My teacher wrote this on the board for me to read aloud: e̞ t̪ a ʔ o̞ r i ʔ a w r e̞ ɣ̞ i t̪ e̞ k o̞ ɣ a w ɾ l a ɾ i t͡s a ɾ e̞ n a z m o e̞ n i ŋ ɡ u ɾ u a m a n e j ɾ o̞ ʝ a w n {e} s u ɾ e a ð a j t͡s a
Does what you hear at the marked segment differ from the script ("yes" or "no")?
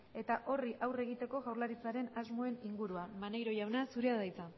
yes